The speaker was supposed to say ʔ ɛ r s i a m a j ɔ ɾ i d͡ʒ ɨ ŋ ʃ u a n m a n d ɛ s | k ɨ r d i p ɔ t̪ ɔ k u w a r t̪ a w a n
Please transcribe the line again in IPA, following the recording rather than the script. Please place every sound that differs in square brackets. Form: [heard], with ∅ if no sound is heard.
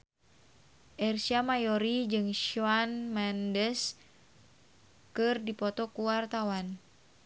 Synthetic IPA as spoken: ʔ ɛ r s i a m a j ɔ ɾ i d͡ʒ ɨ ŋ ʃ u a n m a n d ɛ s | k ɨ r d i p ɔ t̪ ɔ k u w a r t̪ a w a n

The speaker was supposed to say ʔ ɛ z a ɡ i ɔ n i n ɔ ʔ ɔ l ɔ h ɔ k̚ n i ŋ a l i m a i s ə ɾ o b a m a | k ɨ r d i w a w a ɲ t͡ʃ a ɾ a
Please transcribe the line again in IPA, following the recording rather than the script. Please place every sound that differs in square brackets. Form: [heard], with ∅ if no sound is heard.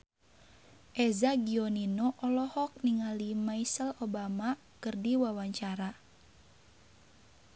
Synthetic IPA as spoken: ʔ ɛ z a ɡ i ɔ n i n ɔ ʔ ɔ l ɔ h ɔ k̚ n i ŋ a l i m a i s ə [l] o b a m a | k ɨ r d i w a w a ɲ t͡ʃ a ɾ a

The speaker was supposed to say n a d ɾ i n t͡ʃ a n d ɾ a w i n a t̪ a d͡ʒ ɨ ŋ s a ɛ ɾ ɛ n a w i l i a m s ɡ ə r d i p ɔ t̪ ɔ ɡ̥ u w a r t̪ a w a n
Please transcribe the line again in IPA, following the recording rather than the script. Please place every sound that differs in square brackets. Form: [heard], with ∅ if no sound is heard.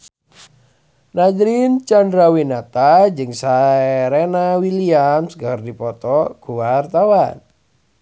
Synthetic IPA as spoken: n a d ɾ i n t͡ʃ a n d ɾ a w i n a t̪ a d͡ʒ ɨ ŋ s a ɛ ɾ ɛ n a w i l i a m s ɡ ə r d i p ɔ t̪ ɔ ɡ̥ u w a r t̪ a w a n

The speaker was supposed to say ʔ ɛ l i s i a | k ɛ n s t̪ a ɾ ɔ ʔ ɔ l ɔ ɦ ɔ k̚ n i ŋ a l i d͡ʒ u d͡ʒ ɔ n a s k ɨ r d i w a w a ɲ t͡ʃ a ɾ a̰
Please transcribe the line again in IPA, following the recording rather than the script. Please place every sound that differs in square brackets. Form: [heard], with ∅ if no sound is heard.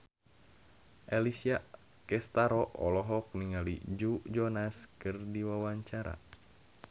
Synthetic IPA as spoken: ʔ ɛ l i s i a | k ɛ [∅] s t̪ a ɾ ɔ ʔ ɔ l ɔ ɦ ɔ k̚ n i ŋ a l i d͡ʒ u d͡ʒ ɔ n a s k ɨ r d i w a w a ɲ t͡ʃ a ɾ a̰

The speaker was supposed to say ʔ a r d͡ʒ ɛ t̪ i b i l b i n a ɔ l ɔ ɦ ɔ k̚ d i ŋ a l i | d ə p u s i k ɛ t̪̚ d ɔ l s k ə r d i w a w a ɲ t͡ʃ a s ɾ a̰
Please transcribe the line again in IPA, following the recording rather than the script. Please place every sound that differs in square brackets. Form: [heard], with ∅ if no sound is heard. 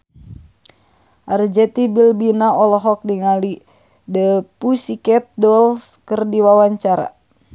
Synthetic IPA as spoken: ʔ a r d͡ʒ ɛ t̪ i b i l b i n a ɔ l ɔ ɦ ɔ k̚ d i ŋ a l i | d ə p u s i k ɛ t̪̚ d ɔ l s k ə r d i w a w a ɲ t͡ʃ a [∅] ɾ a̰

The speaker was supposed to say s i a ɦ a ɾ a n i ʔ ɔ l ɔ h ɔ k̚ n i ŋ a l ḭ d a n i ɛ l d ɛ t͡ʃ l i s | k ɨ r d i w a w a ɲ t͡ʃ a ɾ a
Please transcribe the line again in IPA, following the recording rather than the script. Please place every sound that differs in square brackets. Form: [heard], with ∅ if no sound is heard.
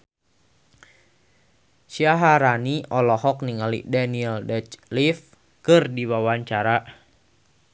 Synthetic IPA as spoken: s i a ɦ a ɾ a n i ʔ ɔ l ɔ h ɔ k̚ n i ŋ a l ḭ d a n i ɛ l d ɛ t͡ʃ l i [f] | k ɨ r d i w a w a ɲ t͡ʃ a ɾ a

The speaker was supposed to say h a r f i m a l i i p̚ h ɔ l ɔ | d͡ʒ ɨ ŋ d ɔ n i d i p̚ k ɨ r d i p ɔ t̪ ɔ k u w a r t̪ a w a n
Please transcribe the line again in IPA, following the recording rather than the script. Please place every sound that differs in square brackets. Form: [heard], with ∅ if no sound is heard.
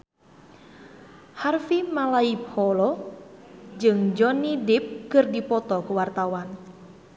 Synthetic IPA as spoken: h a r f i m a l [a] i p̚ h ɔ l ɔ | d͡ʒ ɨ ŋ [d͡ʒ] ɔ n i d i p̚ k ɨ r d i p ɔ t̪ ɔ k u w a r t̪ a w a n

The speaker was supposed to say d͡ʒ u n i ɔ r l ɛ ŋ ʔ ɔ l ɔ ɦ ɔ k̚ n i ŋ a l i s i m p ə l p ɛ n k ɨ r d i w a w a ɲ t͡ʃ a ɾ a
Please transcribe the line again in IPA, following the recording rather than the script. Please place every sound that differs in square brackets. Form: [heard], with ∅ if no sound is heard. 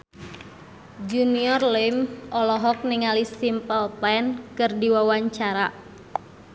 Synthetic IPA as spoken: d͡ʒ u n i ɔ r l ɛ [m] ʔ ɔ l ɔ ɦ ɔ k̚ n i ŋ a l i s i m p ə l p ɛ n k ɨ r d i w a w a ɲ t͡ʃ a ɾ a

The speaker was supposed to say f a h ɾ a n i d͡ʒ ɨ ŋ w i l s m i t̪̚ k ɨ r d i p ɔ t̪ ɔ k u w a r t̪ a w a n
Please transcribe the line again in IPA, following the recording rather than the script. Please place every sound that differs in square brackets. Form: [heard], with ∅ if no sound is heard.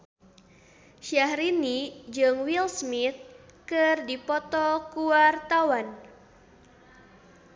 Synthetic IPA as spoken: [ʃ] a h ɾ [i] n i d͡ʒ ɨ ŋ w i l s m i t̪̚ k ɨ r d i p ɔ t̪ ɔ k u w a r t̪ a w a n

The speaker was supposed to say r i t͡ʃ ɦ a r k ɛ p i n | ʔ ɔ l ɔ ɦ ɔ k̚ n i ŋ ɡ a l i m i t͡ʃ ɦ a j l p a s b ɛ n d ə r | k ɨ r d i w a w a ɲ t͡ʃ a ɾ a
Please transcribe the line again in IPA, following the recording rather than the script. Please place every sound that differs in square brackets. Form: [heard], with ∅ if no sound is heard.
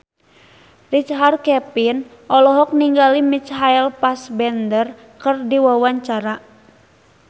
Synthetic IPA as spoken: r i t͡ʃ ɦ a r k ɛ p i n | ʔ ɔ l ɔ ɦ ɔ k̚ n i ŋ ɡ a l i m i t͡ʃ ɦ a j l p a s b ɛ n d ə r | k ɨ r d i w a w a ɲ t͡ʃ a ɾ a

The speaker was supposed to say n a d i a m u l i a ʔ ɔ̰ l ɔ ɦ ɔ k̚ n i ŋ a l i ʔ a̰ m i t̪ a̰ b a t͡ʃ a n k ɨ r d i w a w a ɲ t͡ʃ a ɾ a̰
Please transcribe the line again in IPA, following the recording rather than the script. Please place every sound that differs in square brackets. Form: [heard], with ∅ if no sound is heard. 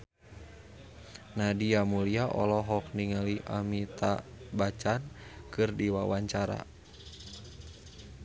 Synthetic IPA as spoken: n a d i a m u l i a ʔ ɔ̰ l ɔ ɦ ɔ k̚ n i ŋ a l i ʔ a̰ m i t̪ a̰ b a t͡ʃ a n k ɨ r d i w a w a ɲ t͡ʃ a ɾ a̰

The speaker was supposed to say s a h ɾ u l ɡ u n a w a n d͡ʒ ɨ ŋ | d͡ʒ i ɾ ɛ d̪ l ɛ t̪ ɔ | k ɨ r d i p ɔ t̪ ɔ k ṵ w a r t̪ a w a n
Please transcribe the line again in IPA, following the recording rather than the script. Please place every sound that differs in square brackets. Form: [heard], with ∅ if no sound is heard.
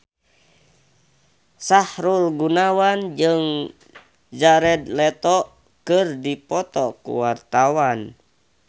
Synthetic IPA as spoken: s a h ɾ u l ɡ u n a w a n d͡ʒ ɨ ŋ | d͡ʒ [a] ɾ ɛ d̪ l ɛ t̪ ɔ | k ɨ r d i p ɔ t̪ ɔ k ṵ w a r t̪ a w a n

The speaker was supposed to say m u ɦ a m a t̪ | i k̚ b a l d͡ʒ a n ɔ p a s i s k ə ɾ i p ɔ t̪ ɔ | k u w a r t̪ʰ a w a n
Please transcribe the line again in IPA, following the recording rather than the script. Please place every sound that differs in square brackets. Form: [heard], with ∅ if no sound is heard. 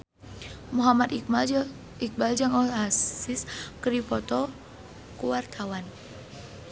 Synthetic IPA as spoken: m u ɦ a m a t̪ | i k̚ b a l d͡ʒ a [ŋ] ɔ [∅] a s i s k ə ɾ i p ɔ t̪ ɔ | k u w a r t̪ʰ a w a n

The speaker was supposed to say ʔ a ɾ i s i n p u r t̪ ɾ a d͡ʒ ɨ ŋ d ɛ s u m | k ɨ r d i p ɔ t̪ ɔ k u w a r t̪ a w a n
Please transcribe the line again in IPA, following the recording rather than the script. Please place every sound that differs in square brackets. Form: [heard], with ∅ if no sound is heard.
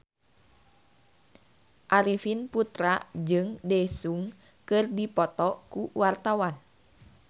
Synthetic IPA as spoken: ʔ a ɾ i [f] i n p u [∅] t̪ ɾ a d͡ʒ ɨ ŋ d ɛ s u [ŋ] | k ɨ r d i p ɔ t̪ ɔ k u w a r t̪ a w a n

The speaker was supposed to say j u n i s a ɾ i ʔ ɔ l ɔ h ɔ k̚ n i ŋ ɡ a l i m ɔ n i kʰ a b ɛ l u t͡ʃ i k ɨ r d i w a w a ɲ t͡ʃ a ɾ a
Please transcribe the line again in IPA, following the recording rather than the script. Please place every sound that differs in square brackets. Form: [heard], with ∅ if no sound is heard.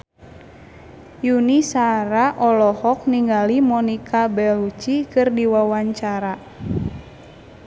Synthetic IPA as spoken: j u n i s a ɾ [a] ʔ ɔ l ɔ h ɔ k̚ n i ŋ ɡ a l i m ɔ n i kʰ a b ɛ l u t͡ʃ i k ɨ r d i w a w a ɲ t͡ʃ a ɾ a

